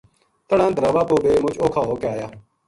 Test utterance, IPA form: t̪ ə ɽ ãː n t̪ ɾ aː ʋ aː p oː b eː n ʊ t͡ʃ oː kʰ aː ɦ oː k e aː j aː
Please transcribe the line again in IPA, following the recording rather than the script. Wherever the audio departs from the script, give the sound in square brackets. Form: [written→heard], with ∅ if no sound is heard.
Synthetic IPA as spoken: t̪ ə ɽ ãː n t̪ ɾ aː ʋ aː p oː b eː [n→m] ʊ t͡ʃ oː kʰ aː ɦ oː k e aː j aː